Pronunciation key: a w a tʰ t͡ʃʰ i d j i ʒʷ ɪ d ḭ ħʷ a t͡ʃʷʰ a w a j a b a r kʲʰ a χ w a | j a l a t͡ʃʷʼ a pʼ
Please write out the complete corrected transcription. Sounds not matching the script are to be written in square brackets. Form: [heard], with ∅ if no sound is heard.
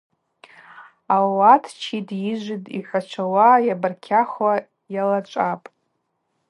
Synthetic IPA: a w a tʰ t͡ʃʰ i d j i ʒʷ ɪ d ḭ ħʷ a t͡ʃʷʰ a w a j a b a r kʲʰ a χ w a | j a l a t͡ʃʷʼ a pʼ